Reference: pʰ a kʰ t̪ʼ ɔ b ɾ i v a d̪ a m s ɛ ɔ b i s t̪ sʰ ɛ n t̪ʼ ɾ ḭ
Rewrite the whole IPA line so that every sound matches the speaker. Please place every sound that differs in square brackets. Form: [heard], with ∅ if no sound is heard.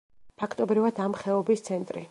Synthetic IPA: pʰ a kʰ t̪ʼ ɔ b ɾ i v a d̪ a m [χ] ɛ ɔ b i s t̪ sʰ ɛ n t̪ʼ ɾ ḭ

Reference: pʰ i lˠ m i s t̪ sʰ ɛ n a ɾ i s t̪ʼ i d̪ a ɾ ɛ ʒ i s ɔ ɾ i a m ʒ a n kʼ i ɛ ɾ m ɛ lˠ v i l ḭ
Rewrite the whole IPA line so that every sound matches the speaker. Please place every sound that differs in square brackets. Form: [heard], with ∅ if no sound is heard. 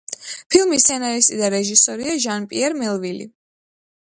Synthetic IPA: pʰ i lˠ m i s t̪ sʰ ɛ n a ɾ i s t̪ʼ i d̪ a ɾ ɛ ʒ i s ɔ ɾ i a [∅] ʒ a n [pʼ] i ɛ ɾ m ɛ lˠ v i l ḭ

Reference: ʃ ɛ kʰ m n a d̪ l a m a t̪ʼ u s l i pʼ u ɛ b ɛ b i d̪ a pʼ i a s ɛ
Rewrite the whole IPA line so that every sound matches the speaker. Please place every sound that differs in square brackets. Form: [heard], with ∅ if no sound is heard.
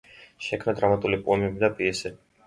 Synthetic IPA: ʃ ɛ kʰ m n a d̪ [ɾ] a m a t̪ʼ u [∅] l i pʼ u ɛ [m] ɛ b i d̪ a pʼ i [ɛ] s ɛ

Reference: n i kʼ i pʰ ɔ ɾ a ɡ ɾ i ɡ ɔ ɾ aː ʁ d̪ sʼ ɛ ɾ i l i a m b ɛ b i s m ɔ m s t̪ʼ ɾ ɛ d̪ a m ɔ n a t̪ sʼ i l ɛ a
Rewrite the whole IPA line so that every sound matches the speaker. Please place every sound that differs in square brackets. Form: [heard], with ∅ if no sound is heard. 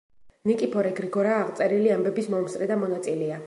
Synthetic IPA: n i kʼ i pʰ ɔ ɾ [ɛ] ɡ ɾ i ɡ ɔ ɾ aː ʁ [t̪] sʼ ɛ ɾ i l i a m b ɛ b i s m ɔ m s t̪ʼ ɾ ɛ d̪ a m ɔ n a t̪ sʼ i l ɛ a

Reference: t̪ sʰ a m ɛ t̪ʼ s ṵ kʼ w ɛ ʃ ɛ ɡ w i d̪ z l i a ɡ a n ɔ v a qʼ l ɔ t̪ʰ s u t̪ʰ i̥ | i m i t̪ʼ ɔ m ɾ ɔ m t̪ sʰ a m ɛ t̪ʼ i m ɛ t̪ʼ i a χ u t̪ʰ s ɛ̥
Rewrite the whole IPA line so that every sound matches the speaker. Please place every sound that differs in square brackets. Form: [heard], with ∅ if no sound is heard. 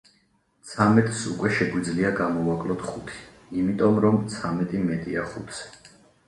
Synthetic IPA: t̪ sʰ a m ɛ t̪ʼ s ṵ kʼ w ɛ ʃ ɛ ɡ w i d̪ z l i a ɡ a [m] ɔ v a [kʼ] l ɔ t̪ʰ [χ] u t̪ʰ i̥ | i m i t̪ʼ ɔ m ɾ ɔ m t̪ sʰ a m ɛ t̪ʼ i m ɛ t̪ʼ i a χ u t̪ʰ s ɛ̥

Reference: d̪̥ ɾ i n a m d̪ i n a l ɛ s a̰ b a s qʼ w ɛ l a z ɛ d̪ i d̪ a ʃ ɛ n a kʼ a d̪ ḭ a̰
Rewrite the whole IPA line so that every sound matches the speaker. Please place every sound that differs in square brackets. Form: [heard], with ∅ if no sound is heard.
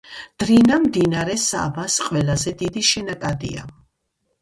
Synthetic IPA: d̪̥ ɾ i n a m d̪ i n a [ɾ] ɛ s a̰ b a s qʼ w ɛ l a z ɛ d̪ i d̪ [i] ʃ ɛ n a kʼ a d̪ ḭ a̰

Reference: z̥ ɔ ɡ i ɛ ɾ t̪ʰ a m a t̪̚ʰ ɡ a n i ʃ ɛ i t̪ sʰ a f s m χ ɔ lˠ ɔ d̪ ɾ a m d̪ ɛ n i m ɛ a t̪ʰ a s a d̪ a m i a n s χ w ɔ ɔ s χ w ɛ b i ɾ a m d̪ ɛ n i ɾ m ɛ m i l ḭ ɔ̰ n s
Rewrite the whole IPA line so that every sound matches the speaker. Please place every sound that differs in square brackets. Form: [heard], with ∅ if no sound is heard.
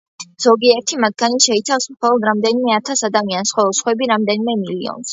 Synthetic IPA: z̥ ɔ ɡ i ɛ ɾ t̪ʰ [i] m a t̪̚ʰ ɡ a n i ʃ ɛ i t̪ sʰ a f s m χ ɔ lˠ ɔ d̪ ɾ a m d̪ ɛ n i m ɛ a t̪ʰ a s a d̪ a m i a n s χ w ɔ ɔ s χ w ɛ b i ɾ a m d̪ ɛ n i [∅] m ɛ m i l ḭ ɔ̰ n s

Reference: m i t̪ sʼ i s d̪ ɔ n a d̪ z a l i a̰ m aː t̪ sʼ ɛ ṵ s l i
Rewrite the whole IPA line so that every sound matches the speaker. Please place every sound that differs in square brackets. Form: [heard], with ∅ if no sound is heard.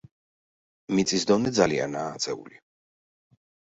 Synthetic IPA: m i t̪ sʼ i s d̪ ɔ n [ɛ] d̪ z a l i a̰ [n] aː t̪ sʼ ɛ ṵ [∅] l i

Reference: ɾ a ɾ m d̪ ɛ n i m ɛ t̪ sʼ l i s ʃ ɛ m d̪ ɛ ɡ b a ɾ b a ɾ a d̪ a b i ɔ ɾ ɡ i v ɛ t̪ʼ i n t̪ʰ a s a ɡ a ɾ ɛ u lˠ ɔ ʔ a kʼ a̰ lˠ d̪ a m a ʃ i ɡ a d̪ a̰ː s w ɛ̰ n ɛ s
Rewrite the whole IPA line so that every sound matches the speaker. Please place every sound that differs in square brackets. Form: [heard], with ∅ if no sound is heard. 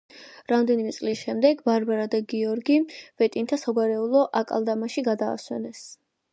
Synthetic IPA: ɾ a [∅] m d̪ ɛ n i m ɛ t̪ sʼ l i s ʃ ɛ m d̪ ɛ ɡ b a ɾ b a ɾ a d̪ a [ɡ] i ɔ ɾ ɡ i v ɛ t̪ʼ i n t̪ʰ a s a ɡ a ɾ ɛ u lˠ ɔ ʔ a kʼ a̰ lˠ d̪ a m a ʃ i ɡ a d̪ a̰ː s w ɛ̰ n ɛ s

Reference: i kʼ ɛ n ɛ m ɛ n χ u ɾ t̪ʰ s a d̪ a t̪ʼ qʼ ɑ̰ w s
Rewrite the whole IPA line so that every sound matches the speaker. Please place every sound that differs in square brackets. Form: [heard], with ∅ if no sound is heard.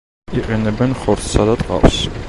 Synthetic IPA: i [qʼ] ɛ n ɛ [b] ɛ n χ [ɔ] ɾ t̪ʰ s a d̪ a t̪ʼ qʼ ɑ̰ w s

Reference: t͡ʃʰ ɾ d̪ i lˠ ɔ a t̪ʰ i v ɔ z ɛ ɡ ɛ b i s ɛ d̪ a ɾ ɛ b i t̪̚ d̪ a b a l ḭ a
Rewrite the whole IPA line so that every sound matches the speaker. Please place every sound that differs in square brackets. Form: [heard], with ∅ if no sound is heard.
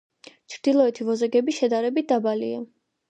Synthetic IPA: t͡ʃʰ ɾ d̪ i lˠ ɔ [ɛ] t̪ʰ i v ɔ z ɛ ɡ ɛ b i [ʃ] ɛ d̪ a ɾ ɛ b i t̪̚ d̪ a b a l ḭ a

